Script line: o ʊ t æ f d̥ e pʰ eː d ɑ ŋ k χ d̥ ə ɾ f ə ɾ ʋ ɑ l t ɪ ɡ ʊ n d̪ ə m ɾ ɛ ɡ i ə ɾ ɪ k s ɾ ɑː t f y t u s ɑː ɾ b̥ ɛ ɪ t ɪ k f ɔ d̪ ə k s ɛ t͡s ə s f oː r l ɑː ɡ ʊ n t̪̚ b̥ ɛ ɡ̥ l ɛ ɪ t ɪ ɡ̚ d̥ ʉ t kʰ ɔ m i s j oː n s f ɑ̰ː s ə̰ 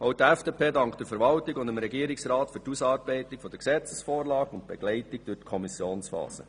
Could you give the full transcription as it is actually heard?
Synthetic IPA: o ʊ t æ f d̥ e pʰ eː d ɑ ŋ k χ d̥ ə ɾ f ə ɾ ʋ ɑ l t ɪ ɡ ʊ n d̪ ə m ɾ ɛ ɡ i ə ɾ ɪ k s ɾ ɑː t f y t u s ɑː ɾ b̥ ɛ ɪ t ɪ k f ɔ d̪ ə k s ɛ t͡s ə s f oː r l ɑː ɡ ʊ n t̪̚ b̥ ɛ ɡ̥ l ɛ ɪ t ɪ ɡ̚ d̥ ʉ t kʰ ɔ m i s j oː n s f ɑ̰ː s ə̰

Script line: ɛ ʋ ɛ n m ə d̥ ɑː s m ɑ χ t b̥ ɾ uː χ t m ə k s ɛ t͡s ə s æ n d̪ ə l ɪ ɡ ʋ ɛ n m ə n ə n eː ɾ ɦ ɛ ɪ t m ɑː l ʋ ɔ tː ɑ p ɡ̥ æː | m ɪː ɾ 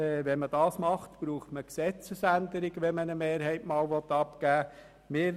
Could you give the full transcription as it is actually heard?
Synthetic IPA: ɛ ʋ ɛ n m ə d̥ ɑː s m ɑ χ t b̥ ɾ uː χ t m ə k s ɛ t͡s ə s æ n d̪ ə ɾ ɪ ɡ ʋ ɛ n m ə n ə m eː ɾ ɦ ɛ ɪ t m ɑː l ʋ ɔ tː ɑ p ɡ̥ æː | m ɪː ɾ

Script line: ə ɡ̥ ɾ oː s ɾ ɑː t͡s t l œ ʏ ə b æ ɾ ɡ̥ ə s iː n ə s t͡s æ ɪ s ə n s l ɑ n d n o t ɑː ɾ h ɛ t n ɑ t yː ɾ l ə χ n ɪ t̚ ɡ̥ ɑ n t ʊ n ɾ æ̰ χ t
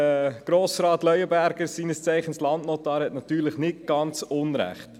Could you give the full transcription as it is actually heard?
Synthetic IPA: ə ɡ̥ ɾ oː s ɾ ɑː t l œ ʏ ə b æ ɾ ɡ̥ ə s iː n ə s t͡s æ ɪ χ ə n s l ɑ n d n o t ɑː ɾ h ɛ t n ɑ t yː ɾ l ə χ n ɪ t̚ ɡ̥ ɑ n t͡s ʊ n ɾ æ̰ χ t

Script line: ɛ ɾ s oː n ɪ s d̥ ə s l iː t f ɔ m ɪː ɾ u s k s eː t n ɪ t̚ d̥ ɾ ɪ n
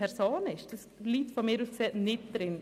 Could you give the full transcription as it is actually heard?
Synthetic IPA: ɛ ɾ s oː n ɪ ʃ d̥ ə s l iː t f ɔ m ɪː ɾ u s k s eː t n ɪ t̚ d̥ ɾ ɪ n

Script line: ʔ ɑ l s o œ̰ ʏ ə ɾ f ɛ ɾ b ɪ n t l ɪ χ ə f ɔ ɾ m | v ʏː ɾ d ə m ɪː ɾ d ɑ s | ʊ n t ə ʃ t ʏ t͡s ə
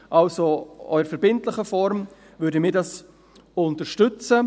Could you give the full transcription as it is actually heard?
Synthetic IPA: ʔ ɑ l s o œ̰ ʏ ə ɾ f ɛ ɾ b ɪ n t l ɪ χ ə f ɔ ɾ m | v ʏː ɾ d ə m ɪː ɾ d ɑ s | ʊ n t ə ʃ t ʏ t͡s ə

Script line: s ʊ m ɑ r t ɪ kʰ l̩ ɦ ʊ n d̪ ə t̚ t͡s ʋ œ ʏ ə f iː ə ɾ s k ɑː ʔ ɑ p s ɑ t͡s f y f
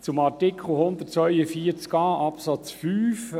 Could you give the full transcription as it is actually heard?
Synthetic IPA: t͡s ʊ m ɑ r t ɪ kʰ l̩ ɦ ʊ n d̪ ə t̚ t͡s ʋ œ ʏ ə f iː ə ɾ t͡s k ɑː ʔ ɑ p s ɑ t͡s f yː f

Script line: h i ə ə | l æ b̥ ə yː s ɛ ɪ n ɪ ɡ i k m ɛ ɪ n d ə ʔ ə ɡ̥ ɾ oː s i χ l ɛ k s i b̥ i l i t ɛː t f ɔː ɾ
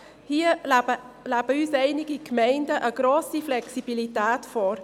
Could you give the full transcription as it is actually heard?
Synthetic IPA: h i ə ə | l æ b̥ ə yː s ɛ ɪ n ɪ ɡ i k m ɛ ɪ n d ə ʔ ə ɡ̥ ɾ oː s i f l ɛ k s i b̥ i l i t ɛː t f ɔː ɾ

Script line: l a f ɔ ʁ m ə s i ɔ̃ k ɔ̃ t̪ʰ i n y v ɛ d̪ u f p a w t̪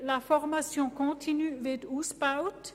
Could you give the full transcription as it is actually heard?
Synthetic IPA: l a f ɔ ʁ m a s j ɔ̃ k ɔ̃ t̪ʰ i n y v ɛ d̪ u s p a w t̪

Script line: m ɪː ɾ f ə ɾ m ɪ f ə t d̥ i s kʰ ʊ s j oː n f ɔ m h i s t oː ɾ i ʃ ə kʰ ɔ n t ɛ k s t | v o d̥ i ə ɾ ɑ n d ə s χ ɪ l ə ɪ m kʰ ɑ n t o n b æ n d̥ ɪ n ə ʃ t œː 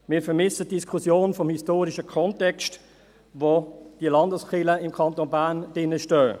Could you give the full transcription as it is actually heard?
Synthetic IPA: m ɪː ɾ f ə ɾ m ɪ s ə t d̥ i s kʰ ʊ s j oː n f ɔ m h i s t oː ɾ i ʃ ə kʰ ɔ n t ɛ k s t | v o d̥ i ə l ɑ n d ə s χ ɪ l ə ɪ m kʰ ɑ n t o n b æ n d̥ ɪ n ə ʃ t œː

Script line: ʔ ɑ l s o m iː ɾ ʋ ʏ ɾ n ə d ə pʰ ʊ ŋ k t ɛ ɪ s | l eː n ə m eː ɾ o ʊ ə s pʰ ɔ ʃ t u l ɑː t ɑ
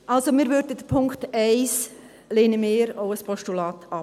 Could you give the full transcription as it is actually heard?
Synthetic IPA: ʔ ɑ l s o m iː ɾ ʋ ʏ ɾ d ə d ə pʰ ʊ ŋ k t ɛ ɪ s | l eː n ə m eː ɾ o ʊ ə s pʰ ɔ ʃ t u l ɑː t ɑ

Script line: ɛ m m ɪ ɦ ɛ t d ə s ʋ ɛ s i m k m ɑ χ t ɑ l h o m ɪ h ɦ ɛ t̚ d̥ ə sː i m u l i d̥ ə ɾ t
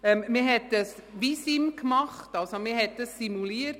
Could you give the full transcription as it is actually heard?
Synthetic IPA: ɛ m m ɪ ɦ ɛ t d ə s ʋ i s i m k m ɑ χ t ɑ l s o m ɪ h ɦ ɛ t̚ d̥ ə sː i m u l i ə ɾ t

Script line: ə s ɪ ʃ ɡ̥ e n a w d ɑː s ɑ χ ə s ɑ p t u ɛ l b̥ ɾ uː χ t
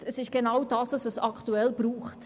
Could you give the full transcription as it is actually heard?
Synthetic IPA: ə s ɪ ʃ ɡ̥ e n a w d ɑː s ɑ s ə s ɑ k t u ɛ l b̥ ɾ uː χ t

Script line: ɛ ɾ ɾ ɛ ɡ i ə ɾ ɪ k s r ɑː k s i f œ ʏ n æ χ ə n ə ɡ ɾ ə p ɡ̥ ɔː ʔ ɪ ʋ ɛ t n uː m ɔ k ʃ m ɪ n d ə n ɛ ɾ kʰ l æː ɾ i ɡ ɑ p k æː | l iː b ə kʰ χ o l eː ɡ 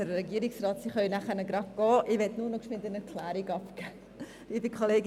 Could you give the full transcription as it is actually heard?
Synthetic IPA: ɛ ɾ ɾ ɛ ɡ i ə ɾ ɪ k s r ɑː t s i χ œ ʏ n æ χ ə n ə ɡ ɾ ɑ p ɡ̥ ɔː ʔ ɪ ʋ ɛ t n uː n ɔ k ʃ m ɪ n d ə n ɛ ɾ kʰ l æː ɾ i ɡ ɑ p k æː | l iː b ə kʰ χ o l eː ɡ

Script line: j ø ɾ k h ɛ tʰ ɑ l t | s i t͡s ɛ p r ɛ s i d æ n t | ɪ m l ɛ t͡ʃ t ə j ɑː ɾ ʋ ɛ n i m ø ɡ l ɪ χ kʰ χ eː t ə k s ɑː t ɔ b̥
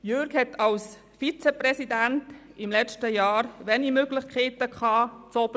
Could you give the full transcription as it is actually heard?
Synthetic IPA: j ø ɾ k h ɛ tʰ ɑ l s | f i t͡s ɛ p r ɛ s i d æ n t | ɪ m l ɛ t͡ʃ t ə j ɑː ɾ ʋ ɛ n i m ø ɡ l ɪ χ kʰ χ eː t ə k χ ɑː t͡s ɔ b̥

